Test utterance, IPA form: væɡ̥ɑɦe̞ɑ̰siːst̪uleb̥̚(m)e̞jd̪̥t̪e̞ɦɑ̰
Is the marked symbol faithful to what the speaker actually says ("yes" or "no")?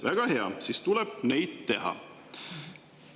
no